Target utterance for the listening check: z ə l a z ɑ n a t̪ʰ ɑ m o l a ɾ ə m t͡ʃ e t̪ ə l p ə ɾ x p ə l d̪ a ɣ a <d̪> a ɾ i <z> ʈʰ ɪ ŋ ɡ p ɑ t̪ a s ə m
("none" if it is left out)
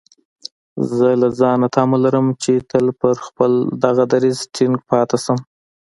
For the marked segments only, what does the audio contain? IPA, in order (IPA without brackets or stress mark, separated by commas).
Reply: d̪, z